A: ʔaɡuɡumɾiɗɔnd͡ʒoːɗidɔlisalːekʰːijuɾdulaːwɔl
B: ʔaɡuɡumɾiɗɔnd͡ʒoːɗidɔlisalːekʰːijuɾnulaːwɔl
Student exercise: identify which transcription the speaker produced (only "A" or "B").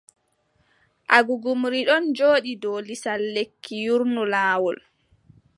B